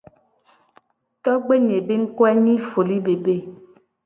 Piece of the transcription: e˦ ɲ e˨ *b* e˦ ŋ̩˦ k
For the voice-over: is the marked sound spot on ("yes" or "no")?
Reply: yes